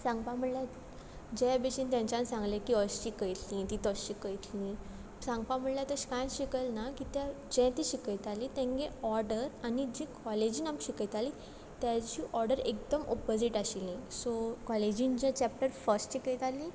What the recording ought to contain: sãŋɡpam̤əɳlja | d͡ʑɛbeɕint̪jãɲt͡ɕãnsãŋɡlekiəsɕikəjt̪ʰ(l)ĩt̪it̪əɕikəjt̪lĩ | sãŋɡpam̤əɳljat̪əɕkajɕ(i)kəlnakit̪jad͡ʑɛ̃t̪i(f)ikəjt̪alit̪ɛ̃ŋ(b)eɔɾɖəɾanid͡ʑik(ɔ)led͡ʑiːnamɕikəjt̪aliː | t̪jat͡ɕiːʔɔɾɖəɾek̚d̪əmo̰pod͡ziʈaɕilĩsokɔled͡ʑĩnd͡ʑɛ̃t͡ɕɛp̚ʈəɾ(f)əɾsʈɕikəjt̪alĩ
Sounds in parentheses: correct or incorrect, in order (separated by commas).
correct, correct, incorrect, incorrect, correct, correct